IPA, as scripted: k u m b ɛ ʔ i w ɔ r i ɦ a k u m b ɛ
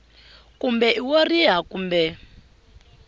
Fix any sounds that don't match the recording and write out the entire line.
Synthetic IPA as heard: k u m b ɛ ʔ i w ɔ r i ɦ a k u m b ɛ

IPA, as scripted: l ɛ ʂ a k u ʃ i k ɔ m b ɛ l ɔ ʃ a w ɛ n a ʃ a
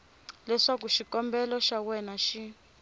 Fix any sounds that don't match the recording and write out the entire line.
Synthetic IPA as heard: l ɛ ʂ a k u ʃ i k ɔ m b ɛ l ɔ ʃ a w ɛ n a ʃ i

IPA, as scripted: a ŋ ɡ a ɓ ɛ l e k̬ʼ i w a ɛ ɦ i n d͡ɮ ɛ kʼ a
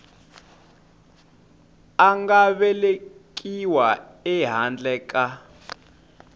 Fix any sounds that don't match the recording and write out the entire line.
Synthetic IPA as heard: a ŋ ɡ a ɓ ɛ l e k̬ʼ i w a ɛ ɦ a n d͡ɮ ɛ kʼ a

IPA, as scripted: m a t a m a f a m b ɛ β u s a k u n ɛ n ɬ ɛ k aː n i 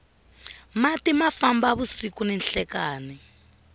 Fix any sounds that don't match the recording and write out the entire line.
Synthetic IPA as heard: m a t i m a f a m b a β u s i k u n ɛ n ɬ ɛ k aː n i

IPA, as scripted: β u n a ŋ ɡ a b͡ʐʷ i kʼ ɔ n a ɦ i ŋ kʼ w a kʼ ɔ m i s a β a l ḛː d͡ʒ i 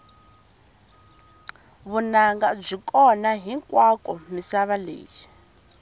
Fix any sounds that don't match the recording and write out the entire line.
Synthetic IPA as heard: β u n a ŋ ɡ a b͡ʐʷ i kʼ ɔ n a ɦ i ŋ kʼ w a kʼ ɔ m i s a β a l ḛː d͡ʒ i

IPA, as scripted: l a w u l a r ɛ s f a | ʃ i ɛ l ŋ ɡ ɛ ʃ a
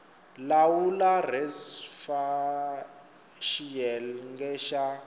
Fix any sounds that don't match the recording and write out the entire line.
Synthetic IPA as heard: l a w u l a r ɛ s f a | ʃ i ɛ l ŋ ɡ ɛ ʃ a

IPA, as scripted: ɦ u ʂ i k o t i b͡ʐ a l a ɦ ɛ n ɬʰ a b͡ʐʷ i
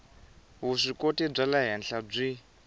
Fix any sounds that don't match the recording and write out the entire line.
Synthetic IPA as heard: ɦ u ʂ i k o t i b͡ʐ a l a ɦ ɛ n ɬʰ a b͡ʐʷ i

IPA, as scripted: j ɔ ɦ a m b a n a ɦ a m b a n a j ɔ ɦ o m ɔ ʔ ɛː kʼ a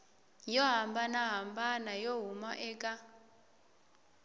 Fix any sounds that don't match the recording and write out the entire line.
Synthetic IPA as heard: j ɔ ɦ a m b a n a ɦ a m b a n a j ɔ ɦ u m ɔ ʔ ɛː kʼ a

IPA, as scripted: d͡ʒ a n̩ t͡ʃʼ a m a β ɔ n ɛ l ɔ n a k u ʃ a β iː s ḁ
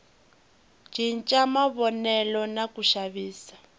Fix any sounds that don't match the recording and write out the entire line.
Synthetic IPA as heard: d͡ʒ i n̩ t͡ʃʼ a m a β ɔ n ɛ l ɔ n a k u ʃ a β iː s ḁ

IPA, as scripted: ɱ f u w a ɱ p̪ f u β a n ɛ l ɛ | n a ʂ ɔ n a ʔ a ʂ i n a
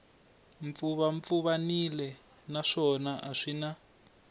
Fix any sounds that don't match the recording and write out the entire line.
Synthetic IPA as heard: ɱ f u β a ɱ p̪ f u β a n i l ɛ | n a ʂ ɔ n a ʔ a ʂ i n a

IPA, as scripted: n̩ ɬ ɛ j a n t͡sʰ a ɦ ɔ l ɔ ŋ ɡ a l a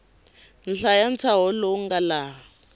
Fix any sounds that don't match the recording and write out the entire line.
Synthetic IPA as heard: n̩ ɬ a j a n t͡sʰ a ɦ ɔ l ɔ ŋ ɡ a l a

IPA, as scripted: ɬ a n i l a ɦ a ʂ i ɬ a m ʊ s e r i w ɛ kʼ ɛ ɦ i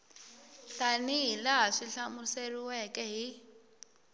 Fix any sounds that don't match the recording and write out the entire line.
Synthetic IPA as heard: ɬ a n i l a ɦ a ʂ i ɬ a m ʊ s e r i w ɛ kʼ ɛ ɦ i

